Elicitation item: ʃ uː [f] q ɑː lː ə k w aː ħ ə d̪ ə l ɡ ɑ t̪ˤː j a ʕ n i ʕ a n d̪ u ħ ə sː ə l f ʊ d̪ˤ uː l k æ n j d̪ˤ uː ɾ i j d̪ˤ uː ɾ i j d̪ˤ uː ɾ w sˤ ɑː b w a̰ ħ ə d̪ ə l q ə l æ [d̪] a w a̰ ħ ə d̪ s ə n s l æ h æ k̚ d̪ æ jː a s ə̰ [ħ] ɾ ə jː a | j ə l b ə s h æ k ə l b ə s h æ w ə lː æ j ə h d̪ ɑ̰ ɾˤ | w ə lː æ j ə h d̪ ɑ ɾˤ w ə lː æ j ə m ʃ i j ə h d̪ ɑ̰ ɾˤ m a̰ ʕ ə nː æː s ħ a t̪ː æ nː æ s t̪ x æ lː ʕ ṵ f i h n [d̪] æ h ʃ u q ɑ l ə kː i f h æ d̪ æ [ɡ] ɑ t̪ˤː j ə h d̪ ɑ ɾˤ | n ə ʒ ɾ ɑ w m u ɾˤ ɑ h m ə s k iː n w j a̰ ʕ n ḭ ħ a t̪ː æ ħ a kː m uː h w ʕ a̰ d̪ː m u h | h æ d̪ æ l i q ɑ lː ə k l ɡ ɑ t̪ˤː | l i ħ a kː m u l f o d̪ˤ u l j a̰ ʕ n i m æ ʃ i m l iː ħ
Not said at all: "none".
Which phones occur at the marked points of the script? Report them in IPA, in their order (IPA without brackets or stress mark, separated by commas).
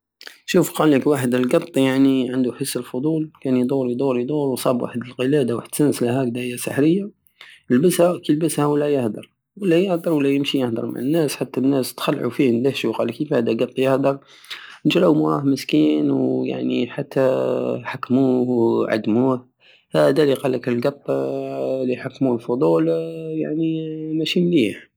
f, d̪, ħ, d̪, ɡ